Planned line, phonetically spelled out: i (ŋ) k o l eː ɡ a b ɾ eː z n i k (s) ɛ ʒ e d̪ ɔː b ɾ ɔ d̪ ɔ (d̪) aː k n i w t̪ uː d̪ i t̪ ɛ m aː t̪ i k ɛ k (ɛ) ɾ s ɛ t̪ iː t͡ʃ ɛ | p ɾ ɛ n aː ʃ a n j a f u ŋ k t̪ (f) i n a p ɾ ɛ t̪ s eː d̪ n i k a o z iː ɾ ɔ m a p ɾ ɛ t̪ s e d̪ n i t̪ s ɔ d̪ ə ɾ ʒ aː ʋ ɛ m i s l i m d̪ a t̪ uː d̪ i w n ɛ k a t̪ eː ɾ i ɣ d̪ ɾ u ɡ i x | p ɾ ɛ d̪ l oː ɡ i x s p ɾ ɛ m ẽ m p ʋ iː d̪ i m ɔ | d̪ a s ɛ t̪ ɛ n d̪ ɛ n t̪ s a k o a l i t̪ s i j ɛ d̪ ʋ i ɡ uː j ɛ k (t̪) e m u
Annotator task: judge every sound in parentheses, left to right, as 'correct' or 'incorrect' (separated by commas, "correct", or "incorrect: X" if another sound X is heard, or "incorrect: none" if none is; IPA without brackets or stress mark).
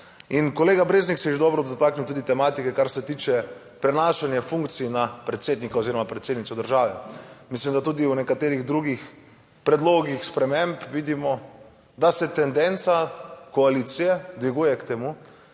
incorrect: n, correct, incorrect: t̪, incorrect: a, incorrect: s, correct